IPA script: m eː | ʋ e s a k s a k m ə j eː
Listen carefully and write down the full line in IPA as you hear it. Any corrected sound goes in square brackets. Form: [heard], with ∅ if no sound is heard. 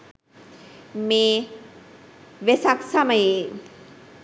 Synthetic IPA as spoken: m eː | ʋ e s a k s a [∅] m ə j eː

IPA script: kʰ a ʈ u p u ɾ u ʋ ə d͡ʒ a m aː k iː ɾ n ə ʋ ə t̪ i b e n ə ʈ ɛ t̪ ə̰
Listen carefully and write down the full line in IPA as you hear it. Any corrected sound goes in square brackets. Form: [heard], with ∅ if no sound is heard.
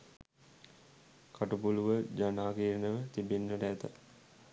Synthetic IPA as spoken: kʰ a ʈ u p u [l] u ʋ ə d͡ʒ a [n] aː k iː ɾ n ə ʋ ə t̪ i b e [nː] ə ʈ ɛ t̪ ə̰

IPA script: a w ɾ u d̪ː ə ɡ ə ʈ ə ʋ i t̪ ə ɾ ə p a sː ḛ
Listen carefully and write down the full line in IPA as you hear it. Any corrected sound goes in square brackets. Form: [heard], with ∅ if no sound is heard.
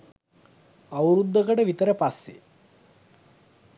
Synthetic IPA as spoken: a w ɾ u d̪ː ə [k] ə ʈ ə ʋ i t̪ ə ɾ ə p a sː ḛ

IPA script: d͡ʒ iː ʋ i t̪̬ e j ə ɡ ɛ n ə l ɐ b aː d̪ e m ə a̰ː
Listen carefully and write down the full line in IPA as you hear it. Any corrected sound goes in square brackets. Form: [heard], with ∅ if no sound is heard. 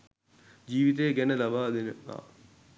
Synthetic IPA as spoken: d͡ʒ iː ʋ i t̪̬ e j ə ɡ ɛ n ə l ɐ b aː d̪ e [n] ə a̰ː

